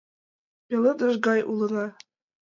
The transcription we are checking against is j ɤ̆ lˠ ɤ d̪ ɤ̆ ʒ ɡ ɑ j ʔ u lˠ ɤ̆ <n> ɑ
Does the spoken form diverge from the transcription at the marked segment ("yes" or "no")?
no